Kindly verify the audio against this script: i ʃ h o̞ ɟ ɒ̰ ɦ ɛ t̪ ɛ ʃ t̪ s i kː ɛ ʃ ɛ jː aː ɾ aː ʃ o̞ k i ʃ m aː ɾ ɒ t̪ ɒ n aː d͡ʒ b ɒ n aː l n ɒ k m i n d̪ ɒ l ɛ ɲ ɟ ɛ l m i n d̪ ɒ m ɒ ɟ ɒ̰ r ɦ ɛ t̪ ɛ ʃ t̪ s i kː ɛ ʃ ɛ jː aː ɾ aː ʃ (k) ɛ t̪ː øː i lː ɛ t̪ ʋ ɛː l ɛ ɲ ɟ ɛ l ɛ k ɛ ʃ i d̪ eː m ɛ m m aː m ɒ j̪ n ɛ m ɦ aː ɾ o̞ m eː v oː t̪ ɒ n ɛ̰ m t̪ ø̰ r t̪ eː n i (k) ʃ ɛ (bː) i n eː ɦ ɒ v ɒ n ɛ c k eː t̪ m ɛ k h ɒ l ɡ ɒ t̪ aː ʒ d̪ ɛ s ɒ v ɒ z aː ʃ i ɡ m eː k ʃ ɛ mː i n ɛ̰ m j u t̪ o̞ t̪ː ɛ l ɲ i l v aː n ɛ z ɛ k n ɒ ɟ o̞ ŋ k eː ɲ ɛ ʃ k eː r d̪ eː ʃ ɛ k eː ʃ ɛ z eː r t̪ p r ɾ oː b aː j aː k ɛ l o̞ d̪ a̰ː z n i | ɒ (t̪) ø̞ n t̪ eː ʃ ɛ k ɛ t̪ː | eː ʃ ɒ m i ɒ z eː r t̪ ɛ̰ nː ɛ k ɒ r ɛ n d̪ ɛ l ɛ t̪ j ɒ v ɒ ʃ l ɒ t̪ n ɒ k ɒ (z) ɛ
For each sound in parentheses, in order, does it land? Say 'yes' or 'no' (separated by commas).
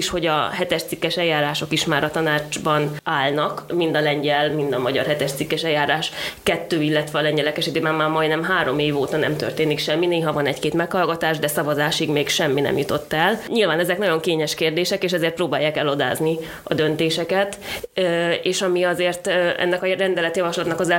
yes, yes, no, no, yes